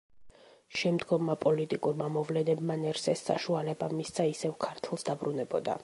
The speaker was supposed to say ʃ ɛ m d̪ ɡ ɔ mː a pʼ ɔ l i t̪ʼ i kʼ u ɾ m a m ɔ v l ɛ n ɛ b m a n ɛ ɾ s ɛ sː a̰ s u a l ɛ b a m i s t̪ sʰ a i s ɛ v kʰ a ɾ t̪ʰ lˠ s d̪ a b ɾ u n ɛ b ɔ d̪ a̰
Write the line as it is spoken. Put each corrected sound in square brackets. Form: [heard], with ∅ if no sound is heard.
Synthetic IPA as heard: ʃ ɛ m d̪ ɡ ɔ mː a pʼ ɔ l i t̪ʼ i kʼ u ɾ m a m ɔ v l ɛ n ɛ b m a n ɛ ɾ s ɛ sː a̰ [ʃ] u a l ɛ b a m i s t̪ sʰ a i s ɛ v kʰ a ɾ t̪ʰ lˠ s d̪ a b ɾ u n ɛ b ɔ d̪ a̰